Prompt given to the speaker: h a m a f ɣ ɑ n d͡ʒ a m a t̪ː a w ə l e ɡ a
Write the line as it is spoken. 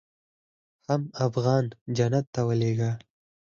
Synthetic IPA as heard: h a m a f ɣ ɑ n d͡ʒ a n a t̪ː a w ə l e ɡ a